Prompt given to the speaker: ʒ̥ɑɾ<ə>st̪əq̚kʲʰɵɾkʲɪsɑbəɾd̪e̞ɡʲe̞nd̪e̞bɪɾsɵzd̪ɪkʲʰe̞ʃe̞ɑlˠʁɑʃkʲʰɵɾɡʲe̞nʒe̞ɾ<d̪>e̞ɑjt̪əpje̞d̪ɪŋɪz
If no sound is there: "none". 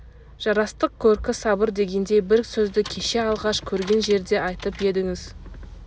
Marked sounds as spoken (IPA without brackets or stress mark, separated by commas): ɑ, d̪